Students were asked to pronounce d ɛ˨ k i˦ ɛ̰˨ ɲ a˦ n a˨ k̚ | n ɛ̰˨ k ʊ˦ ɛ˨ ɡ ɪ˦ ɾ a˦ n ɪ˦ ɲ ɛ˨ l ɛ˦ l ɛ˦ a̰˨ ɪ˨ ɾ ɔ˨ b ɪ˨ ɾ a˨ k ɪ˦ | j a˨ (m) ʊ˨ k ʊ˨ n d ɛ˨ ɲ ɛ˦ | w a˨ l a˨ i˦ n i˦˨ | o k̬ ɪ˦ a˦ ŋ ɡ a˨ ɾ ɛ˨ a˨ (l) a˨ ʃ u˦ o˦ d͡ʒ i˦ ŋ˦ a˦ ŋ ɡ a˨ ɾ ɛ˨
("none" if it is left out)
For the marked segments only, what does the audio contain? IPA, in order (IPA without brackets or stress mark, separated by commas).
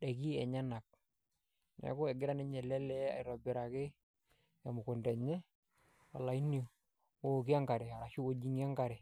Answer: m, ɾ